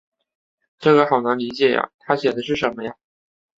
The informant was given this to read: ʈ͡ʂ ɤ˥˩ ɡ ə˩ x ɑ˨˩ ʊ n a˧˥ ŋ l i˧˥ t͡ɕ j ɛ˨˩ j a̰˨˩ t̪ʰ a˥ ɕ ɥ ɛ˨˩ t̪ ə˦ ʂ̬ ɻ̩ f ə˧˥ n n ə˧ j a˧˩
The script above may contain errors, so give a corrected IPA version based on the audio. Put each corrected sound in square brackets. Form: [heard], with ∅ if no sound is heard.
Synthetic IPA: ʈ͡ʂ ɤ˥˩ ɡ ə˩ x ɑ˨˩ ʊ n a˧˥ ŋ l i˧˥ t͡ɕ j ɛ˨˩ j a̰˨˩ t̪ʰ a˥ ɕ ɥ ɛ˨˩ [d̪] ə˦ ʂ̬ ɻ̩ [ʂ] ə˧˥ n [m] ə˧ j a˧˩